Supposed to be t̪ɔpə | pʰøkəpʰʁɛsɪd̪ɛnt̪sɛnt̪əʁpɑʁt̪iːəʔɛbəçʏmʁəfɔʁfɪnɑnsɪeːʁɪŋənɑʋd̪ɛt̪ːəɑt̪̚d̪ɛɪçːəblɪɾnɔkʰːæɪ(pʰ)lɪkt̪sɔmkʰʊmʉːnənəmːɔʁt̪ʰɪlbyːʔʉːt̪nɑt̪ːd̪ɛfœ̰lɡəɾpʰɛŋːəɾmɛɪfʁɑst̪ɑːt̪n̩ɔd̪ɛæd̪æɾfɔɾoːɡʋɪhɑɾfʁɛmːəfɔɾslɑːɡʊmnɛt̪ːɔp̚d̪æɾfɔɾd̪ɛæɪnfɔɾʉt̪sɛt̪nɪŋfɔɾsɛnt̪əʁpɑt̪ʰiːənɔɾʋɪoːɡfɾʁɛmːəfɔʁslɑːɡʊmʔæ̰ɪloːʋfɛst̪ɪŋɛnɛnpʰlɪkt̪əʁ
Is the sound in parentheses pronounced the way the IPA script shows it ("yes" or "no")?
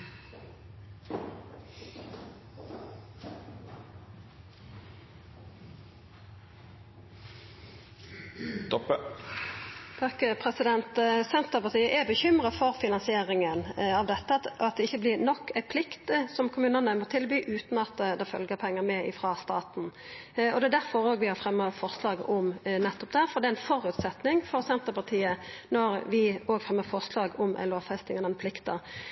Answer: yes